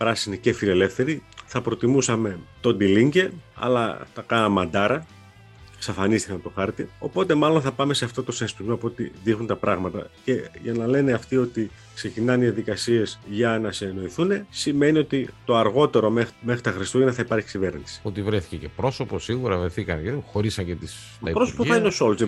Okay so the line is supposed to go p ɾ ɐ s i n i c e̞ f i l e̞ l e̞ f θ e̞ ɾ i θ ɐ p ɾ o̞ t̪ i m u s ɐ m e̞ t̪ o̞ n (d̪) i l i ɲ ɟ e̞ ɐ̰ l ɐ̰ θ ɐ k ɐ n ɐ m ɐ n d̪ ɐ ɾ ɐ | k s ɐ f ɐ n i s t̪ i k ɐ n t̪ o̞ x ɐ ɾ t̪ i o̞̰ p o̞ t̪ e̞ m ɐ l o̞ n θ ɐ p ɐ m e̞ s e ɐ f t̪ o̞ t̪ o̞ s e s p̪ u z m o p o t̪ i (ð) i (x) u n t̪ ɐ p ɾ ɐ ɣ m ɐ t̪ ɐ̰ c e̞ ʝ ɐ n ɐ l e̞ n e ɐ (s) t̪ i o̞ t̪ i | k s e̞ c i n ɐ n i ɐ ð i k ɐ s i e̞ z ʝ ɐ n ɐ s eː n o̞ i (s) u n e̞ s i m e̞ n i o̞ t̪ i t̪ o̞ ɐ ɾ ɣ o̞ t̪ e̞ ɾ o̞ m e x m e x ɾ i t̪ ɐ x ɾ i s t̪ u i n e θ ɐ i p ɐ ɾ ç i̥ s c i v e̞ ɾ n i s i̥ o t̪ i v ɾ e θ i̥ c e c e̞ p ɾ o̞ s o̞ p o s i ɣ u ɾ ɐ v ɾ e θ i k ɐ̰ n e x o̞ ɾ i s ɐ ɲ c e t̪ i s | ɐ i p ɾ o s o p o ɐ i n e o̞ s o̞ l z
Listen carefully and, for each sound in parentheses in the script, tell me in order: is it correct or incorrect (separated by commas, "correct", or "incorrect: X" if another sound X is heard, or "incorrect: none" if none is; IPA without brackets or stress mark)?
correct, correct, correct, incorrect: f, incorrect: θ